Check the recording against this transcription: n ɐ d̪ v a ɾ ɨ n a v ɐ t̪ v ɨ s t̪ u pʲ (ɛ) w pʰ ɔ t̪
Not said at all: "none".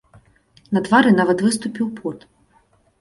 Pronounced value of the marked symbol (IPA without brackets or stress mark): i